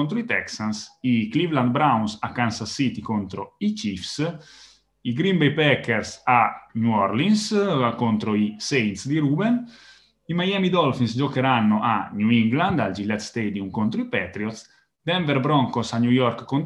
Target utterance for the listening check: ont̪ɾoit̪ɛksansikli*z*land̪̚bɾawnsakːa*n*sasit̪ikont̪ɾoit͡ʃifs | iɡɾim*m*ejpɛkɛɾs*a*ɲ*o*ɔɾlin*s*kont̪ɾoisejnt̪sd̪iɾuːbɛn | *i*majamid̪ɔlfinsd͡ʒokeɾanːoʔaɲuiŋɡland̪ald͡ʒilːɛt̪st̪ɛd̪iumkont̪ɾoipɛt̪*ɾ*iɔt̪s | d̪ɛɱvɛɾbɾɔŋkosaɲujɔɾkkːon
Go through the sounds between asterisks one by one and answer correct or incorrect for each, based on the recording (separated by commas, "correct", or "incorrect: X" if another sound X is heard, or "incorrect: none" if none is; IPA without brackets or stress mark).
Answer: incorrect: v, correct, incorrect: b, correct, incorrect: u, correct, correct, correct